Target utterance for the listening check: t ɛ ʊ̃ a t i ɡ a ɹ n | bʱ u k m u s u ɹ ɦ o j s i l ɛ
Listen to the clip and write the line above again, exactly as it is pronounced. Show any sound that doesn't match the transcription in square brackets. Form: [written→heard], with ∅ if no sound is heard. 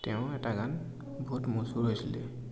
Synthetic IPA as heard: t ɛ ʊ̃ [a→ɛ] t [i→a] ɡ a [ɹ→∅] n | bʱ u [k→t] m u s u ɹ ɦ o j s i l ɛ